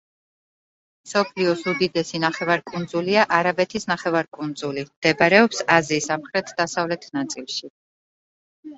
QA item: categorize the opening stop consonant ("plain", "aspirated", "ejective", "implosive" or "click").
aspirated